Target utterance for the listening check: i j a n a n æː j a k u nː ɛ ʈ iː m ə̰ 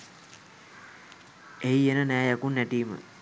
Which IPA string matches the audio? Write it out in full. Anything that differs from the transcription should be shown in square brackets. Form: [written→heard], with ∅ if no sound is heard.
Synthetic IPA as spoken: [i→e] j [a→e] n [a→ə] n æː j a k u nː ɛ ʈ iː m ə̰

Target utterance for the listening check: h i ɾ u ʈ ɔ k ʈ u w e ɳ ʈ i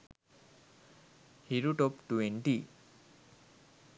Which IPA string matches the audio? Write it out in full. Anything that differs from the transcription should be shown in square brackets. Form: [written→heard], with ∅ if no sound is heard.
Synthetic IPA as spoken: h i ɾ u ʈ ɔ [k→p] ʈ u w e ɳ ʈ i

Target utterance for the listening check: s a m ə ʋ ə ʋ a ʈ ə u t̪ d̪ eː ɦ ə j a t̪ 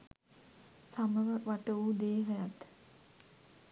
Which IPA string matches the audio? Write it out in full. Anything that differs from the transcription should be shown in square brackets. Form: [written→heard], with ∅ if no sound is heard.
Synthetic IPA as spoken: s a m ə ʋ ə ʋ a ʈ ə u [t̪→∅] d̪ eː ɦ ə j a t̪

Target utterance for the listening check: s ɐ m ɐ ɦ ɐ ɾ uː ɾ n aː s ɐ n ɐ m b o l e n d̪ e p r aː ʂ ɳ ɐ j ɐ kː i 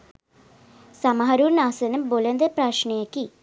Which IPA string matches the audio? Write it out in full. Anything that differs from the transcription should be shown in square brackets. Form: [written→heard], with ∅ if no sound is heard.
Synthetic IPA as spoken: s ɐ m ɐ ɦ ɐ ɾ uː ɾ n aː s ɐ n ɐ m b o l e n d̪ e p r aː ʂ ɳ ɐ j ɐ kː i

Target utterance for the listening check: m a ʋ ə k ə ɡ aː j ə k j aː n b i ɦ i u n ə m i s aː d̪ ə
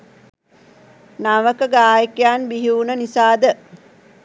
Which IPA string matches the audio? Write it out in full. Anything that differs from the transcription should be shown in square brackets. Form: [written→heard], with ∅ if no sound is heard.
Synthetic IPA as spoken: [m→n] a ʋ ə k ə ɡ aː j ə k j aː n b i ɦ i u n ə [m→n] i s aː d̪ ə

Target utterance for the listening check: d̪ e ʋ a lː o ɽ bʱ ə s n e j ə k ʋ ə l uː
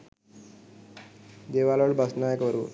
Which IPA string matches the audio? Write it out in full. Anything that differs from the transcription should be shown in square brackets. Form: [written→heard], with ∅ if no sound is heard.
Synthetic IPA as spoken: d̪ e ʋ a [lː→l] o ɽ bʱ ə s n [e→a] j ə k ʋ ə [l→ɾ] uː

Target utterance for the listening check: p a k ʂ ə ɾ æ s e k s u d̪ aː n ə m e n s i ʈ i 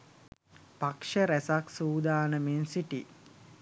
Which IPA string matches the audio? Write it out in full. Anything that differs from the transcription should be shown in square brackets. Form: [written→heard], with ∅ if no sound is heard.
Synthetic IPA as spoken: p a k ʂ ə ɾ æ s [e→a] k s [u→uː] d̪ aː n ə m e n s i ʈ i

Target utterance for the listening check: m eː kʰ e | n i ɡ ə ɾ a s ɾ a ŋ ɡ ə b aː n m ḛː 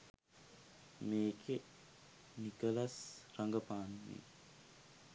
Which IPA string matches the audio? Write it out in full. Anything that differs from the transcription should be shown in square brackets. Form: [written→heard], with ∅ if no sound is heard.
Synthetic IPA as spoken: m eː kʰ e | n i [ɡ→k] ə [ɾ→l] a s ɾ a ŋ ɡ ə [b→p] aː n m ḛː

